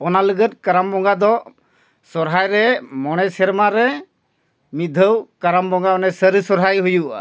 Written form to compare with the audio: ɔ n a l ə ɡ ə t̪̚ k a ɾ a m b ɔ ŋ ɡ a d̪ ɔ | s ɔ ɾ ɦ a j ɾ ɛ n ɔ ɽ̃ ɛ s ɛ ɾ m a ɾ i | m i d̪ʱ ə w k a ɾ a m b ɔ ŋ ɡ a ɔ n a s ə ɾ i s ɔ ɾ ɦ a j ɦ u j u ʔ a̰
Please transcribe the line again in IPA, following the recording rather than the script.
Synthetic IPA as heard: ɔ n a l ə ɡ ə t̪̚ k a ɾ a m b ɔ ŋ ɡ a d̪ ɔ | s ɔ ɾ ɦ a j ɾ ɛ m ɔ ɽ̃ ɛ s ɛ ɾ m a ɾ ɛ | m i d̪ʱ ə w k a ɾ a m b ɔ ŋ ɡ a ɔ n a s ə ɾ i s ɔ ɾ ɦ a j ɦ u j u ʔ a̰